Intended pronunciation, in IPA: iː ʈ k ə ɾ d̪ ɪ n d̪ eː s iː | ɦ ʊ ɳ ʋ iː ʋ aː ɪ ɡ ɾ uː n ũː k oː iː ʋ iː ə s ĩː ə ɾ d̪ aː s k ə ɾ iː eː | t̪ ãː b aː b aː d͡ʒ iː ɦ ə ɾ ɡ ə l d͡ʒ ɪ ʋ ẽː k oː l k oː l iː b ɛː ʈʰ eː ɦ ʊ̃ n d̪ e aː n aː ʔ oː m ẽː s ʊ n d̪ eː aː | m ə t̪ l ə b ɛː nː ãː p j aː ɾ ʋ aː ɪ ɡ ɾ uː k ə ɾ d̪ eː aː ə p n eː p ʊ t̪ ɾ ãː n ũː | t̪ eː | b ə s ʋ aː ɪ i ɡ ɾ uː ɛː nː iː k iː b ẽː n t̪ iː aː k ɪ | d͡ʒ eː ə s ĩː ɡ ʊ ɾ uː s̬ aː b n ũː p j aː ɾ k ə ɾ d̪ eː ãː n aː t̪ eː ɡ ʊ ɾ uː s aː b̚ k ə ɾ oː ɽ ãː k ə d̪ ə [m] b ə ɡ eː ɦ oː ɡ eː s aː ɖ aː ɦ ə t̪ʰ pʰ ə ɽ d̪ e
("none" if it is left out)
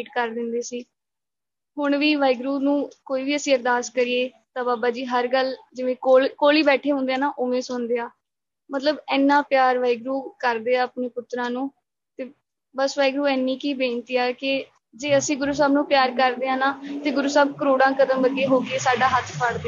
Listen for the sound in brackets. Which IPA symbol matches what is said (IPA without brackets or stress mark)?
m